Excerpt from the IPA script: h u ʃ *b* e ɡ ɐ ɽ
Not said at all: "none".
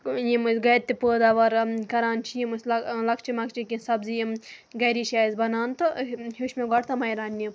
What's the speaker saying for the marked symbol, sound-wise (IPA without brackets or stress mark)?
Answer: m